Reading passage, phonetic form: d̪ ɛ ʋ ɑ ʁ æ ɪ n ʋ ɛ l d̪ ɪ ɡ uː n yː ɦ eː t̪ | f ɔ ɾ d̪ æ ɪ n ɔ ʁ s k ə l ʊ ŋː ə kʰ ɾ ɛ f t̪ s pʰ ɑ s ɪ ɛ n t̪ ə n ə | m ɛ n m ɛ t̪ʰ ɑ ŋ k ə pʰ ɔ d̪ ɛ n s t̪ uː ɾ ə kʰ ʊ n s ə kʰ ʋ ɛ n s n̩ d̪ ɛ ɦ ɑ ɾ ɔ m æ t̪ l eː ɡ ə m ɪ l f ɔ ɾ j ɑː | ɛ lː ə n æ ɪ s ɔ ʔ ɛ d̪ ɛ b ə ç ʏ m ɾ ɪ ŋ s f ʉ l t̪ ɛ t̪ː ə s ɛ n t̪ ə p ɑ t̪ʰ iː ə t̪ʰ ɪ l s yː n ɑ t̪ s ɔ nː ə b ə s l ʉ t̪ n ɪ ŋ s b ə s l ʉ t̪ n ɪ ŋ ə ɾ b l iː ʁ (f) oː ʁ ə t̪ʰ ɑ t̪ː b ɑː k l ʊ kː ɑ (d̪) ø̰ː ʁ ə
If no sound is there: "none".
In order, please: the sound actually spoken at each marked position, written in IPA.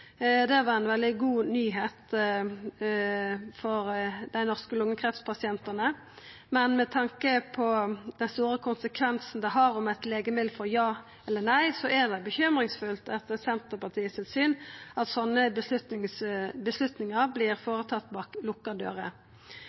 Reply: f, d̪

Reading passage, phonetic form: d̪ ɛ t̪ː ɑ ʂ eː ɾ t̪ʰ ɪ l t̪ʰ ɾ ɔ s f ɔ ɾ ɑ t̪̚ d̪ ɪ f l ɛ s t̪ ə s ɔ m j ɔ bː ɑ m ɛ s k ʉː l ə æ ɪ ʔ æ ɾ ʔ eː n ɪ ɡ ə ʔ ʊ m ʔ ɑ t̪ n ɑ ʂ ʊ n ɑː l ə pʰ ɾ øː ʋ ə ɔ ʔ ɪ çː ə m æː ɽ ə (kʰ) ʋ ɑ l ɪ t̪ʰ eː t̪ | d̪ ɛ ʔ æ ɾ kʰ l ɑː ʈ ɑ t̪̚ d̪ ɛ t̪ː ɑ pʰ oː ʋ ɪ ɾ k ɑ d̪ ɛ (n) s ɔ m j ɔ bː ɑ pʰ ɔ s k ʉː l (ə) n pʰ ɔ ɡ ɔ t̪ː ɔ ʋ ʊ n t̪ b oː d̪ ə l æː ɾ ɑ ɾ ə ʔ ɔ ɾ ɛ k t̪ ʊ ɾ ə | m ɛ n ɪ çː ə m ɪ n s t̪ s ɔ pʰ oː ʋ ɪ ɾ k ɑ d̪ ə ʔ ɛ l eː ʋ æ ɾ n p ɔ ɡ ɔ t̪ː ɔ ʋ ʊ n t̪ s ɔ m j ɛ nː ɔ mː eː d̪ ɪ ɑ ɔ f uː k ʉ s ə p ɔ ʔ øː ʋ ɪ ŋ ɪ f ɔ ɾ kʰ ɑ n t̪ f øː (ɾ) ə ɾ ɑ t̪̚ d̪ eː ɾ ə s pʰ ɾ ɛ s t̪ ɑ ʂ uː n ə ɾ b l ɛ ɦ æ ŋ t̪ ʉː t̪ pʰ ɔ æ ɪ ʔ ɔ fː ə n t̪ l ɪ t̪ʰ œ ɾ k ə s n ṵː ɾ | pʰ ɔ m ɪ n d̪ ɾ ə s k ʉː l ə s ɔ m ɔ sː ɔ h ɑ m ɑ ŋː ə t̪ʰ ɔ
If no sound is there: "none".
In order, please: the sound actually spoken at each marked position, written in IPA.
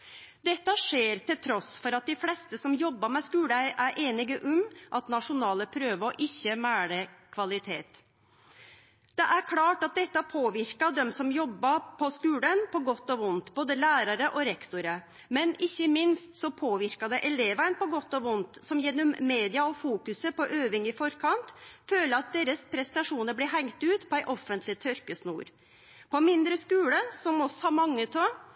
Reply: kʰ, m, ə, l

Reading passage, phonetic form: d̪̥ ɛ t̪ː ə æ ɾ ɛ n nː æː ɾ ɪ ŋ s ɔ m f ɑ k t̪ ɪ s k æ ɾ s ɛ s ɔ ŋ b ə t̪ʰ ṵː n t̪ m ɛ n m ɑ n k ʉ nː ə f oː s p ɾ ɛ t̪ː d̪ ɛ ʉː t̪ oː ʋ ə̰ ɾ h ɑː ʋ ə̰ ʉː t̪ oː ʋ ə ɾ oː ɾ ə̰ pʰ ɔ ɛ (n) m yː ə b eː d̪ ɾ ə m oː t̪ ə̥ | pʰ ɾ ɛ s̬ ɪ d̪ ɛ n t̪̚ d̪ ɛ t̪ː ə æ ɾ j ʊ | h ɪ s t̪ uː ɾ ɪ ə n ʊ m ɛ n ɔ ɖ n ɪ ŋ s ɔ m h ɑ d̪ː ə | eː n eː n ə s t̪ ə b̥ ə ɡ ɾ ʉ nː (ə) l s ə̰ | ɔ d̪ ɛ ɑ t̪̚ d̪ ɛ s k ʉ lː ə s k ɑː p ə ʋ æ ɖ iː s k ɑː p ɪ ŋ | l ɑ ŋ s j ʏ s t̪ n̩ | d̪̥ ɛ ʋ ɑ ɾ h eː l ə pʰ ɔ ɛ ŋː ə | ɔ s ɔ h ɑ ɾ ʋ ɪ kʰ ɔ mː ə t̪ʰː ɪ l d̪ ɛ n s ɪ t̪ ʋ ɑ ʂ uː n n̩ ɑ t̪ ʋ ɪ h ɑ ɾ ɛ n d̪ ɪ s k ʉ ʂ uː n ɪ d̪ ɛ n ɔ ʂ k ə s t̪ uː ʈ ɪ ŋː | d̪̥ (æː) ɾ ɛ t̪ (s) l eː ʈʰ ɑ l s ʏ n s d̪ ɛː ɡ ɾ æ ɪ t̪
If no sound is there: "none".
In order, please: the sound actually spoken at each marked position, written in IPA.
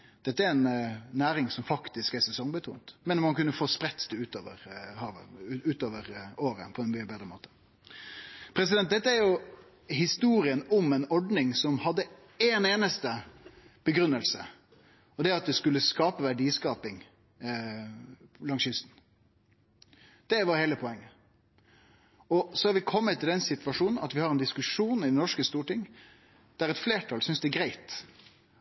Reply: n, ə, æ, f

